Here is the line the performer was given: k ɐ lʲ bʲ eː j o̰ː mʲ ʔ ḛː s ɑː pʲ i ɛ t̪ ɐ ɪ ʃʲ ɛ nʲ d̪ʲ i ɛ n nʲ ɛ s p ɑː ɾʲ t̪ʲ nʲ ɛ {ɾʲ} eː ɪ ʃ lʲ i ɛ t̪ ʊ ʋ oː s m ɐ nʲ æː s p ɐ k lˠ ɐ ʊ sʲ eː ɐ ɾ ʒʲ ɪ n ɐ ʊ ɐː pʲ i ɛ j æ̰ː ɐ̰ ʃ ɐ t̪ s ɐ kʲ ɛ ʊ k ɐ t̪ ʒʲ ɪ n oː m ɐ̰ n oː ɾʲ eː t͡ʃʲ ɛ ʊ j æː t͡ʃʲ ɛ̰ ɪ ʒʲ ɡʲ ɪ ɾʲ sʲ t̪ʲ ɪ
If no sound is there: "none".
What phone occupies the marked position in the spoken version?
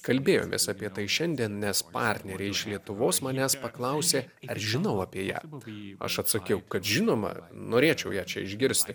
ɾʲ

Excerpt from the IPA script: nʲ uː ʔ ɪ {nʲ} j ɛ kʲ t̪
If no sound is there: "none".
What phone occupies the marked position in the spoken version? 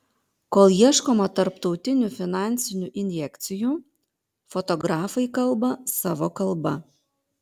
nʲ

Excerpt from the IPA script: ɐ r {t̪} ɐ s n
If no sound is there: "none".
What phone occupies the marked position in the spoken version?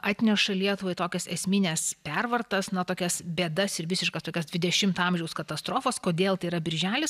t̪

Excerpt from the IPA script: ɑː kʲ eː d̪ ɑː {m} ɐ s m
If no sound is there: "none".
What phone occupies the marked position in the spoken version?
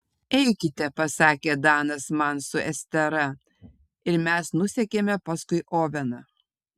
n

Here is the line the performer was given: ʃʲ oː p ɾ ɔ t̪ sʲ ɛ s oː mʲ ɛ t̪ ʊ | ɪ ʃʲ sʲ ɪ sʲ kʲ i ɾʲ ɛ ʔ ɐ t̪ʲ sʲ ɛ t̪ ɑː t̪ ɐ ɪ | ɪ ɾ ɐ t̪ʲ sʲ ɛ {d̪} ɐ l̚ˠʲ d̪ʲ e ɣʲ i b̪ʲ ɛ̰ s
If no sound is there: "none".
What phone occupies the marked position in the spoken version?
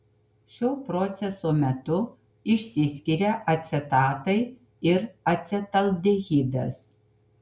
t̪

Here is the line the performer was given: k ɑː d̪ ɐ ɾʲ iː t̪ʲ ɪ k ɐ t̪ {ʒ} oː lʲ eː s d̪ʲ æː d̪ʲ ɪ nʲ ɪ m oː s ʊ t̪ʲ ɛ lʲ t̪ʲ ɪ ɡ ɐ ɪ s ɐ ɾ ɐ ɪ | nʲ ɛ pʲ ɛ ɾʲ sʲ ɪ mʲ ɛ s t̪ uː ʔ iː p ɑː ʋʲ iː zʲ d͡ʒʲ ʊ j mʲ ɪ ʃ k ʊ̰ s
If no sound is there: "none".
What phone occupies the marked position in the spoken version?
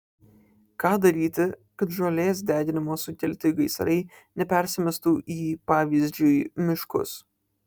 ʒ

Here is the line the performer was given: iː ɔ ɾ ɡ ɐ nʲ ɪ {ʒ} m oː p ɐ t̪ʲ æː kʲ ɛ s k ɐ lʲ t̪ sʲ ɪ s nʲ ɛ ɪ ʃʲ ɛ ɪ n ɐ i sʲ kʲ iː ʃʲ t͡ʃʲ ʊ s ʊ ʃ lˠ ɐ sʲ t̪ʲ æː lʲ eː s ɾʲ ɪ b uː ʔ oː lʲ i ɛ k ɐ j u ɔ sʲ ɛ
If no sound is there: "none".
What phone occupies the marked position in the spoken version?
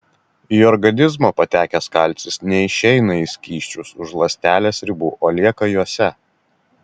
z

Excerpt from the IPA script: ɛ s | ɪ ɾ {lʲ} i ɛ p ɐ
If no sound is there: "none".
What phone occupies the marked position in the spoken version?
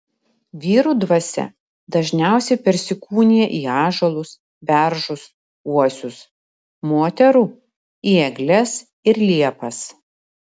lʲ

